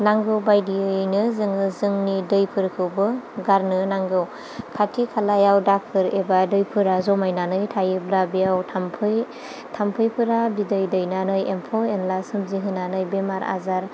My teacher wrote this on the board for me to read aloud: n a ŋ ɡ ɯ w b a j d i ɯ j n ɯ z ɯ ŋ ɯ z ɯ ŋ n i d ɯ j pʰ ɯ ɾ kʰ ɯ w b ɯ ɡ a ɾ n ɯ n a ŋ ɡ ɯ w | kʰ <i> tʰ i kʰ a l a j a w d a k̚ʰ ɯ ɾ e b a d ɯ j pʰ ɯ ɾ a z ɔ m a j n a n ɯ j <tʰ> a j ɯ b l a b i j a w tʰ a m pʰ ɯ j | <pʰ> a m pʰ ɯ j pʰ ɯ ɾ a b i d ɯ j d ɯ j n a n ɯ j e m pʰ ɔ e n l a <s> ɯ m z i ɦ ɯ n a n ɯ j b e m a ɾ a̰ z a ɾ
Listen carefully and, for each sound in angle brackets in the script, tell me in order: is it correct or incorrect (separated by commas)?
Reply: incorrect, correct, incorrect, correct